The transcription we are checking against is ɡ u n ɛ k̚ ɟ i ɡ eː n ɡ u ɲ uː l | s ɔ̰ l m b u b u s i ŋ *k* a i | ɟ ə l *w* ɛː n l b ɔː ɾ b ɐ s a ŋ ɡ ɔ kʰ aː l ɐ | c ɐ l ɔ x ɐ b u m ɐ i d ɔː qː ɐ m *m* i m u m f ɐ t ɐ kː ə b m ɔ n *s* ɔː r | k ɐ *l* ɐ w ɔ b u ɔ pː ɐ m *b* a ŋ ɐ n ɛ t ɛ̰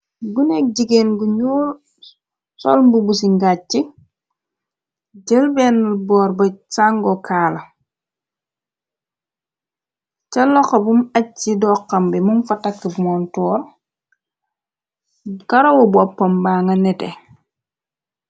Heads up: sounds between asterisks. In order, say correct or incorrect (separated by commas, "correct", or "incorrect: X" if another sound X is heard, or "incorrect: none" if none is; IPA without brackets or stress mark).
incorrect: ɡ, incorrect: b, incorrect: b, incorrect: t, incorrect: ɾ, correct